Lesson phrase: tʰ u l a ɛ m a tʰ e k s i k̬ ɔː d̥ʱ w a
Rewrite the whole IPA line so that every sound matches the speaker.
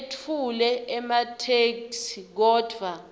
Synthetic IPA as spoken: tʰ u l ɛ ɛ m a tʰ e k s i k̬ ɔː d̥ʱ w a